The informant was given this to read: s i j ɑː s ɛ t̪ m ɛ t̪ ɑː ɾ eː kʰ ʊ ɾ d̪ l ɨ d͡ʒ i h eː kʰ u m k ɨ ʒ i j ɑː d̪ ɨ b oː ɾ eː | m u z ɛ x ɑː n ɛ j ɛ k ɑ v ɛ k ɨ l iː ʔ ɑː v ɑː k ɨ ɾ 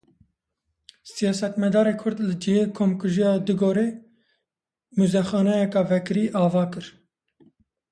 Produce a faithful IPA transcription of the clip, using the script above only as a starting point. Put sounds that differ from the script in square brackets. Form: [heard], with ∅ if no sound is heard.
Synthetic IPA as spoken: s i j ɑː s ɛ t̪ m ɛ [d̪] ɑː ɾ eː kʰ ʊ ɾ d̪ l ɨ d͡ʒ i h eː kʰ [o] m k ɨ ʒ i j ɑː d̪ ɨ [ɡ] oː ɾ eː | m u z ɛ x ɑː n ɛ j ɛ k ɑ v ɛ k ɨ [ɾ] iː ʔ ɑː v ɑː k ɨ ɾ